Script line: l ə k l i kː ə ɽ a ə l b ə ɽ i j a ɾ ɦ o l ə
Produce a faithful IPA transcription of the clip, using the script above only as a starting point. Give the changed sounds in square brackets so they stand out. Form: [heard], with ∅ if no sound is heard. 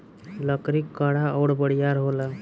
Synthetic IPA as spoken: l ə k [ɾ] i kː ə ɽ a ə [ɽ] b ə ɽ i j a ɾ ɦ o l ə